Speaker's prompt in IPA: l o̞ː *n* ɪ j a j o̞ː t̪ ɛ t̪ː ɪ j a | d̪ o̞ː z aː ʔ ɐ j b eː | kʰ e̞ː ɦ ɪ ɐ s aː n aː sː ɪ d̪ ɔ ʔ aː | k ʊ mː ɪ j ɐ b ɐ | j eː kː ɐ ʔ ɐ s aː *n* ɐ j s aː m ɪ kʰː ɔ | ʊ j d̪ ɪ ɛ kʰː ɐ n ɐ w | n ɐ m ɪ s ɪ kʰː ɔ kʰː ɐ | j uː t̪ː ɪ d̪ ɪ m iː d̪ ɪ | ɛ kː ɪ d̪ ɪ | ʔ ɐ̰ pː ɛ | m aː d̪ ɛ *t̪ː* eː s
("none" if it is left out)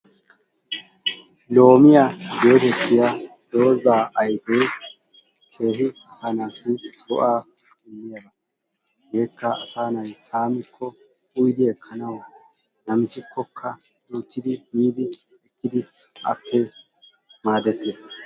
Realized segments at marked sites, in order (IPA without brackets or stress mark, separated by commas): m, n, t̪ː